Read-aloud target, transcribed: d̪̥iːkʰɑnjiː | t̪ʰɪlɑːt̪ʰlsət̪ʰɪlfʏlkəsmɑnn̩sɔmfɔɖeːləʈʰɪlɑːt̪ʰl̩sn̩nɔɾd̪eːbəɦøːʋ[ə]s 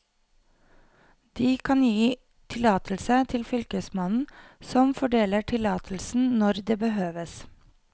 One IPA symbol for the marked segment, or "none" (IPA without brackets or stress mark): ə